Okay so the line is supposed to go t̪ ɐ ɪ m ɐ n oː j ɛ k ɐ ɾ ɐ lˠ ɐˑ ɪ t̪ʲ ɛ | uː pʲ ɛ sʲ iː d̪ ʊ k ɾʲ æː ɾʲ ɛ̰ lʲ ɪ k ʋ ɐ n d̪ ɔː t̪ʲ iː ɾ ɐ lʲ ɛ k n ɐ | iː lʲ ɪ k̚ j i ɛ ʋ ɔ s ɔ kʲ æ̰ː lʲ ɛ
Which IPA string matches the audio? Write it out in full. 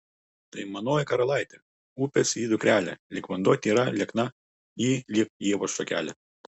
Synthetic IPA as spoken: t̪ ɐ ɪ m ɐ n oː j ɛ k ɐ ɾ ɐ lˠ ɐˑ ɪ t̪ʲ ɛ | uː pʲ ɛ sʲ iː d̪ ʊ k ɾʲ æː lʲ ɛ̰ lʲ ɪ k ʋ ɐ n d̪ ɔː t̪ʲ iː ɾ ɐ lʲ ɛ k n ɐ | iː lʲ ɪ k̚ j i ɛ ʋ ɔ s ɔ kʲ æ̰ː lʲ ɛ